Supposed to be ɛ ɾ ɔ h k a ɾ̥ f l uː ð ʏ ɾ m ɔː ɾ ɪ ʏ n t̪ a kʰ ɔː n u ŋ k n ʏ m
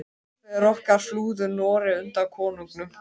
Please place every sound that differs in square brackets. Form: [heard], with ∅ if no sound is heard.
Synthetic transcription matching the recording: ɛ ɾ ɔ h k a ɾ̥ f l uː ð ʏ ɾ [n] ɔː ɾ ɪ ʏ n t̪ a kʰ ɔː n u ŋ k n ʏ m